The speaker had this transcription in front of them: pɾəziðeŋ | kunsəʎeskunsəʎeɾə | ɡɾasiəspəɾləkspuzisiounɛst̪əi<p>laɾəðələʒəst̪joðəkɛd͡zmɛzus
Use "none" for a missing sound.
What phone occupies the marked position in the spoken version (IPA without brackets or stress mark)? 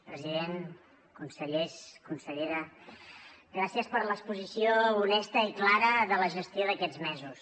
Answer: k